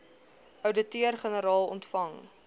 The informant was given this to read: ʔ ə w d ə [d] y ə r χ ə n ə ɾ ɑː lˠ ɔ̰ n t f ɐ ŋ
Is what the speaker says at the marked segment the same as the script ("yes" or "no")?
no